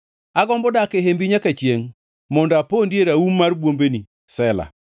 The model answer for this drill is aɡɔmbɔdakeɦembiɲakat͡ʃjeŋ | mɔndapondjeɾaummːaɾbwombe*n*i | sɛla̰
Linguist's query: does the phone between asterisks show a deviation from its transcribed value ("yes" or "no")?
no